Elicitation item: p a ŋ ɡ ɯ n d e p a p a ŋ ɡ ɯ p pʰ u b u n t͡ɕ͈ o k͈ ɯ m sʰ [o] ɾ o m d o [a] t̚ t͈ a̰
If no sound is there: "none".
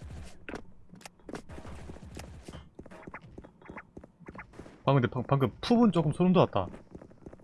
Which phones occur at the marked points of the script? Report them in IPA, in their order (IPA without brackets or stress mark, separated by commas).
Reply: o, a